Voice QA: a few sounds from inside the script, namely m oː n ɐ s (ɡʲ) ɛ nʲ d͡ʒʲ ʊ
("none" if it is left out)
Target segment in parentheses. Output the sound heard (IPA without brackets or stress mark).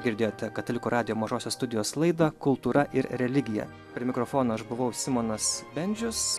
bʲ